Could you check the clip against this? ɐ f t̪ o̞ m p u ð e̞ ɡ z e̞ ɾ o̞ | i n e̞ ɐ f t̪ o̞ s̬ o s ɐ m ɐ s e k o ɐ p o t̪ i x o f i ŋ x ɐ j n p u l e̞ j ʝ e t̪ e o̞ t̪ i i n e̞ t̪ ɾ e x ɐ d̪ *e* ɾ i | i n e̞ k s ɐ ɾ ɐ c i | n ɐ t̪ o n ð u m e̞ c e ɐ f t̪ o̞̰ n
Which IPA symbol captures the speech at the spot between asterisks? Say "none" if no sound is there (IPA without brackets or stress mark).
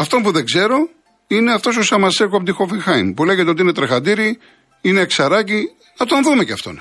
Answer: i